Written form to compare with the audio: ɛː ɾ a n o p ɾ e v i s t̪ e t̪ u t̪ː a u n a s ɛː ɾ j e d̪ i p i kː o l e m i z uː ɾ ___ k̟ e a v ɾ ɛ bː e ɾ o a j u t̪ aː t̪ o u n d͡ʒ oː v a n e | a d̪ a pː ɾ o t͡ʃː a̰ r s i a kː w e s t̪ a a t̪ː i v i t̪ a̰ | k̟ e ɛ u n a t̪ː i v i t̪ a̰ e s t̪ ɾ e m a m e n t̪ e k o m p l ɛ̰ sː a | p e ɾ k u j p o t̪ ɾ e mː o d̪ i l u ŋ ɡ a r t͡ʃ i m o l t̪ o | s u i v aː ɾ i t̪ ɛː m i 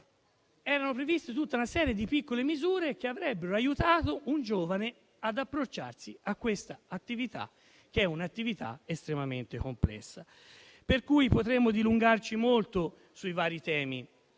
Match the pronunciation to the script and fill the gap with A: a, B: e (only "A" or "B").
B